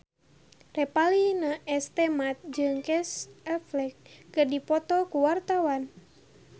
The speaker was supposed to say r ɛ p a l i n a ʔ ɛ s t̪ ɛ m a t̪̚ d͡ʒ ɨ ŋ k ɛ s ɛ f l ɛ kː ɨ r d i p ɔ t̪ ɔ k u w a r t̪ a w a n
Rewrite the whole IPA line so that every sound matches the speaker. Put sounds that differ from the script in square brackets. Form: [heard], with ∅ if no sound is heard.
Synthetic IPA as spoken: r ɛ p a l i n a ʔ ɛ s t̪ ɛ m a t̪̚ d͡ʒ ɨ ŋ k ɛ s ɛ f l ɛ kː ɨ r d i p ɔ t̪ ɔ k u w a r t̪ a w a n

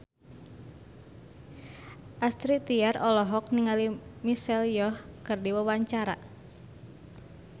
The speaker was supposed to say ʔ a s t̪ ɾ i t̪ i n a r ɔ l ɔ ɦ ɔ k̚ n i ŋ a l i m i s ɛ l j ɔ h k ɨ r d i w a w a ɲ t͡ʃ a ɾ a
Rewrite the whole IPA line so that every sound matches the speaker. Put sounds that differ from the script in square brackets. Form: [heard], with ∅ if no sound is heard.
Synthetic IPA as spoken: ʔ a s t̪ ɾ i t̪ i [∅] a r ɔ l ɔ ɦ ɔ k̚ n i ŋ a l i m i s ɛ l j ɔ h k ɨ r d i w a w a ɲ t͡ʃ a ɾ a

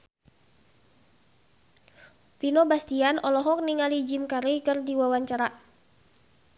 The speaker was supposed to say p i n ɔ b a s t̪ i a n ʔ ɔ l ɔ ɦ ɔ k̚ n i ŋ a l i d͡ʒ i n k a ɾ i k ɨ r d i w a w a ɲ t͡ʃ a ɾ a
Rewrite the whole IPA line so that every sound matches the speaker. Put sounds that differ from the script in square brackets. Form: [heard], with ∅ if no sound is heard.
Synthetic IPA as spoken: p i n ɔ b a s t̪ i a n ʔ ɔ l ɔ ɦ ɔ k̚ n i ŋ a l i d͡ʒ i [m] k a ɾ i k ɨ r d i w a w a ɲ t͡ʃ a ɾ a

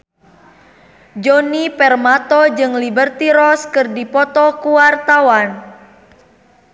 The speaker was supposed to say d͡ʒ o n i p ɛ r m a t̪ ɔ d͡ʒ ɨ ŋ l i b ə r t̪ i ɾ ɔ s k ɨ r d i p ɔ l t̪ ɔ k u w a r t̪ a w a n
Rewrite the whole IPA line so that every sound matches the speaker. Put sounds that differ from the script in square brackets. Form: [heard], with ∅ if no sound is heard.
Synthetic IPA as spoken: d͡ʒ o n i p ɛ r m a t̪ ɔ d͡ʒ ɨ ŋ l i b ə r t̪ i ɾ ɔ s k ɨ r d i p ɔ [∅] t̪ ɔ k u w a r t̪ a w a n

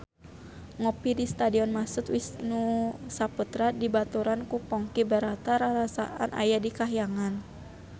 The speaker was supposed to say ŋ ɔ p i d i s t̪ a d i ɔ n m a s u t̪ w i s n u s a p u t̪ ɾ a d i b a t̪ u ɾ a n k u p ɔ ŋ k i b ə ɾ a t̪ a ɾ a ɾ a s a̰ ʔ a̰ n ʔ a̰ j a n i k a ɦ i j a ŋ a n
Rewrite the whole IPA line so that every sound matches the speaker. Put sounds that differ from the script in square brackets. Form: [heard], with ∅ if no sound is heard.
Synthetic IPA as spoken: ŋ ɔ p i d i s t̪ a d i ɔ n m a s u t̪ w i s n u s a p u t̪ ɾ a d i b a t̪ u ɾ a n k u p ɔ ŋ k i b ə ɾ a t̪ a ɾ a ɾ a s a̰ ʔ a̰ n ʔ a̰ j a [d] i k a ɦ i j a ŋ a n

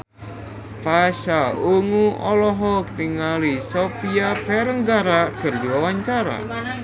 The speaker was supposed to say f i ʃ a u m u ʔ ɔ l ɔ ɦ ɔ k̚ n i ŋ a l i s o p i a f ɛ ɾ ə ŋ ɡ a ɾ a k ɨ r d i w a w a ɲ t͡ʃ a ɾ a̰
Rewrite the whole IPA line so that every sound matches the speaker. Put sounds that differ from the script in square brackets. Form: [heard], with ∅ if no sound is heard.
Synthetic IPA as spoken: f [a] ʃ a u [ŋ] u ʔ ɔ l ɔ ɦ ɔ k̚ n i ŋ a l i s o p i a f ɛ ɾ ə ŋ ɡ a ɾ a k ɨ r d i w a w a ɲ t͡ʃ a ɾ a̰

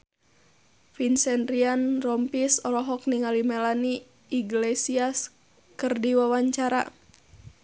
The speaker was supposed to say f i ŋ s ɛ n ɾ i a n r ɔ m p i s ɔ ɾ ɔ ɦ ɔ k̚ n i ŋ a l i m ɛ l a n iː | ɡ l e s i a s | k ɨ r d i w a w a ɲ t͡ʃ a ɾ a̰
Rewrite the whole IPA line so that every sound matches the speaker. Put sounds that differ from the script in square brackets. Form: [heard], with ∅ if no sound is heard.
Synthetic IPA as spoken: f i [n] s ɛ n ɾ i a n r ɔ m p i s ɔ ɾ ɔ ɦ ɔ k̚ n i ŋ a l i m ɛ l a n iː | ɡ l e s i a s | k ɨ r d i w a w a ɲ t͡ʃ a ɾ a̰

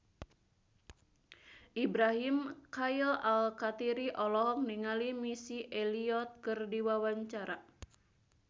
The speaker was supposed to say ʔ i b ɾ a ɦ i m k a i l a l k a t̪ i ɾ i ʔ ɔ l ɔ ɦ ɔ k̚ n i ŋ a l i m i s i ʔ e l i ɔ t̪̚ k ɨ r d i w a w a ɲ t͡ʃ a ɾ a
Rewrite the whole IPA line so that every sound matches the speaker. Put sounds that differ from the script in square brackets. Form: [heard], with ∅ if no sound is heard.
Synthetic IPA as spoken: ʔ i b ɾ a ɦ i m k a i l a l k a t̪ i ɾ i ʔ ɔ l ɔ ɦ ɔ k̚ n i ŋ a l i m i s i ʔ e l i ɔ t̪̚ k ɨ r d i w a w a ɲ t͡ʃ a ɾ a

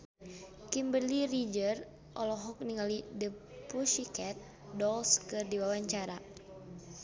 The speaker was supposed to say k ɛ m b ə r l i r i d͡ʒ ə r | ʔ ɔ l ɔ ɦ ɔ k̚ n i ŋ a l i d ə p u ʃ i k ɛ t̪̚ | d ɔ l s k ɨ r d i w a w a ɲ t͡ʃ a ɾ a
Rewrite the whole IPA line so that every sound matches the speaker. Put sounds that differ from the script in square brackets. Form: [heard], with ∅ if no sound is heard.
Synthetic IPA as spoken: k [i] m b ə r l i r i d͡ʒ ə r | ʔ ɔ l ɔ ɦ ɔ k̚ n i ŋ a l i d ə p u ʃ i k ɛ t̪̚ | d ɔ l s k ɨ r d i w a w a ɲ t͡ʃ a ɾ a

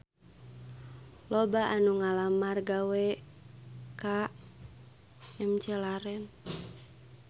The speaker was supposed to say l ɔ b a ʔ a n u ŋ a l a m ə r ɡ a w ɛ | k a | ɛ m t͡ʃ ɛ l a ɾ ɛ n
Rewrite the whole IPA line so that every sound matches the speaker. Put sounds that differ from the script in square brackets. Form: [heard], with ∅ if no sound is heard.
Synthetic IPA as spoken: l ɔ b a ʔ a n u ŋ a l a m [a] r ɡ a w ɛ | k a | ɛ m t͡ʃ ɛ l a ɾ ɛ n

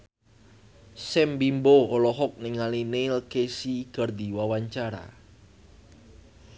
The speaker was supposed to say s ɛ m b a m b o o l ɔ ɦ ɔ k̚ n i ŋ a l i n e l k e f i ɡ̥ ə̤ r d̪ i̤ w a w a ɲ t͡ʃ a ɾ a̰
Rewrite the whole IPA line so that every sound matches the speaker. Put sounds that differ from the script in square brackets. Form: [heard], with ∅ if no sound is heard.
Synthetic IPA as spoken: s ɛ m b [i] m b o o l ɔ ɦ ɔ k̚ n i ŋ a l i n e l k e [s] i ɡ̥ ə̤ r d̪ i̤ w a w a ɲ t͡ʃ a ɾ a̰

